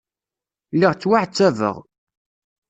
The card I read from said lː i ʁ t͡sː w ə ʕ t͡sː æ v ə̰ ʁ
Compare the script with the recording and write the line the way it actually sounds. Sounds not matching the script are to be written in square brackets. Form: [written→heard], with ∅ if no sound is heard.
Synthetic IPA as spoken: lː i ʁ t͡sː w [ə→a] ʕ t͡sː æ v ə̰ ʁ